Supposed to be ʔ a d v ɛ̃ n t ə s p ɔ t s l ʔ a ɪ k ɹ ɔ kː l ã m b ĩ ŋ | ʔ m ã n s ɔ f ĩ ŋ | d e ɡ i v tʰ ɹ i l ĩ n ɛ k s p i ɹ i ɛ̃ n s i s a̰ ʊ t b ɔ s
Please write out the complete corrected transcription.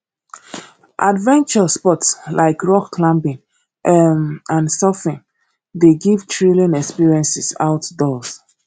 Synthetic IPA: ʔ a d v ɛ̃ n t͡ʃ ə s p ɔ t s l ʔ a ɪ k ɹ ɔ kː l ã m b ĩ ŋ | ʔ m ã n s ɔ f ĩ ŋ | d e ɡ i v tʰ ɹ i l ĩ n ɛ k s p i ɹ i ɛ̃ n s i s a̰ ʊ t d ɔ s